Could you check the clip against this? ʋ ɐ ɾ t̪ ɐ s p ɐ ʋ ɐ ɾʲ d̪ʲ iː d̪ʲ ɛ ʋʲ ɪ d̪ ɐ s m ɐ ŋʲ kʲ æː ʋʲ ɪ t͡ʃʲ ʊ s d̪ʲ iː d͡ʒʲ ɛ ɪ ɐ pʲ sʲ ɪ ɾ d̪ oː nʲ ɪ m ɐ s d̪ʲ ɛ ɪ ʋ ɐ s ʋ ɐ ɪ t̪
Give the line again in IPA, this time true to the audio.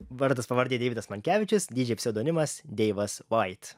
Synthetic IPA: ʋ ɐ ɾ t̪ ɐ s p ɐ ʋ ɐ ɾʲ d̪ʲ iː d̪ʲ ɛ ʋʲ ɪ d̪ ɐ s m ɐ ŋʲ kʲ æː ʋʲ ɪ t͡ʃʲ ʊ s d̪ʲ iː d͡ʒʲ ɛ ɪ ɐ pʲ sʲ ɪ d̪ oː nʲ ɪ m ɐ s d̪ʲ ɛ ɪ ʋ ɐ s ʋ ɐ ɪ t̪